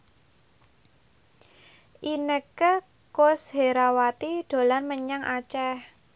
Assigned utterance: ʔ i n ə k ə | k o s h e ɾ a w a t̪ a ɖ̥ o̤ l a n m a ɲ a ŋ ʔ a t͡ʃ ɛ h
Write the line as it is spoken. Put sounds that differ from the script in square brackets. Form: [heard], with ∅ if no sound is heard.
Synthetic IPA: ʔ i n ə k ə | k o s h e ɾ a w a t̪ [i] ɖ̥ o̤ l a n m [ə] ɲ a ŋ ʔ a t͡ʃ ɛ h